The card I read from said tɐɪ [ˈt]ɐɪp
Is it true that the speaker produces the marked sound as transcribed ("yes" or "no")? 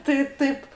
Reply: yes